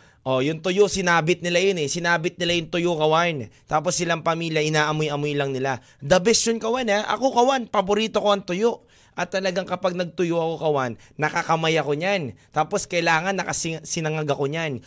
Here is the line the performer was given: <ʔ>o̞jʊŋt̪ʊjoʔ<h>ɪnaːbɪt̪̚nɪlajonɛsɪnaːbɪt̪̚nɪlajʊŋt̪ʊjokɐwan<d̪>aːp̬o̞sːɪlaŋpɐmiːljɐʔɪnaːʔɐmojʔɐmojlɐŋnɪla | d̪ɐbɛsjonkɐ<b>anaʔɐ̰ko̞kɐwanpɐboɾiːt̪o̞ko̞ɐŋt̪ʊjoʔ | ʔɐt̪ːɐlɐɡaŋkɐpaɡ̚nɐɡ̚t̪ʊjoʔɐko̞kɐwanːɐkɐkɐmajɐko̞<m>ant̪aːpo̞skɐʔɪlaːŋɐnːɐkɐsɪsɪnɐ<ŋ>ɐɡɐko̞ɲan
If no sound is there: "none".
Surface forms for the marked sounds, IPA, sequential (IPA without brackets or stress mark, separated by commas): ʔ, s, t̪, w, ɲ, ŋ